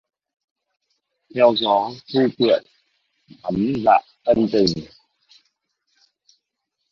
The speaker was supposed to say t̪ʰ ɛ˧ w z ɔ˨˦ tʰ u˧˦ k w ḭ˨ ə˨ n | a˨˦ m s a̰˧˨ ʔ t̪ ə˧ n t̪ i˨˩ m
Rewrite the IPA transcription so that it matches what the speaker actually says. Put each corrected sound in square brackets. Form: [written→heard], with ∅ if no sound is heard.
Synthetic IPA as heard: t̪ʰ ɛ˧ w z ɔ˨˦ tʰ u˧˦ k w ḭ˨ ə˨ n | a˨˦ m [s→z] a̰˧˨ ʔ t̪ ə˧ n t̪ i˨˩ [m→ŋ]